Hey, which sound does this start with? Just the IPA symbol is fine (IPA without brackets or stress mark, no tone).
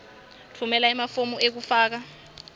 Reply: tʰ